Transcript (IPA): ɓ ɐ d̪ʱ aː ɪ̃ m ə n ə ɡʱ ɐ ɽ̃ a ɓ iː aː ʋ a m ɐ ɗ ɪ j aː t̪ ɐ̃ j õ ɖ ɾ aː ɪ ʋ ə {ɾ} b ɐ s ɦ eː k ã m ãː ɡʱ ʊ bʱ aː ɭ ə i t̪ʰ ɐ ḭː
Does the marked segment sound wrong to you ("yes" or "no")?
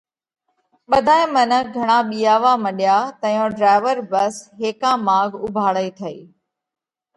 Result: no